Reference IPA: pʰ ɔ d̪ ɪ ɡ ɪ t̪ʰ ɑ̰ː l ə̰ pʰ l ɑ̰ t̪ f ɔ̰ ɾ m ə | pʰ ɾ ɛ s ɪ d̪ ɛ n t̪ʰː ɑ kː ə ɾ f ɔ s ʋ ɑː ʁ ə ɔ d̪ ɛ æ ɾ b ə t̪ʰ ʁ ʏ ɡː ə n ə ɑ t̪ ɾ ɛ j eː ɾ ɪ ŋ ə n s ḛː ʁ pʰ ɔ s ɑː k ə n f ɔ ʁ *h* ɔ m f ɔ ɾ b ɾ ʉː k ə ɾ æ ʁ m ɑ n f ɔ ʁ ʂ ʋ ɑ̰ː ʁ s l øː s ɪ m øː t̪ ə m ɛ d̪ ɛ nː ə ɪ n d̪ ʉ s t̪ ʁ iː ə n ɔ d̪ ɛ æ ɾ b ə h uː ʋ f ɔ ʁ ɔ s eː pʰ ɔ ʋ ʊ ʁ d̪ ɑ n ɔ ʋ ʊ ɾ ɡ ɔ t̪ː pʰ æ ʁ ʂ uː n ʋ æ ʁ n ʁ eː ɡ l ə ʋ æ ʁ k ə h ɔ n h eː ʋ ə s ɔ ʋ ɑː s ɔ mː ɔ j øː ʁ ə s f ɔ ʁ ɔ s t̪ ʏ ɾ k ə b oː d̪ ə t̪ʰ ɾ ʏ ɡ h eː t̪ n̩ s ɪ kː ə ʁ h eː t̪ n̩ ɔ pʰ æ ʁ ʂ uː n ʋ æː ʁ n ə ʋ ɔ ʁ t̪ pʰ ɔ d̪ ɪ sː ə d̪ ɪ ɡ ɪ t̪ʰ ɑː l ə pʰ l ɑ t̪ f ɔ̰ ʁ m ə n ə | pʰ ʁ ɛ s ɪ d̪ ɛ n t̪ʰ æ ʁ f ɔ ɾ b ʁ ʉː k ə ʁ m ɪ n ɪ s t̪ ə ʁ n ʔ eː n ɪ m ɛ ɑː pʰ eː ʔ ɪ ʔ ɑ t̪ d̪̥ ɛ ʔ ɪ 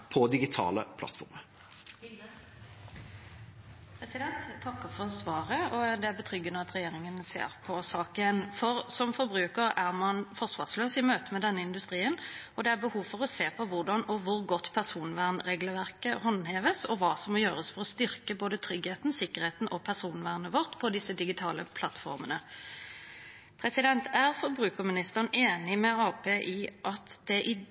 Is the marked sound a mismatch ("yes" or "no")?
yes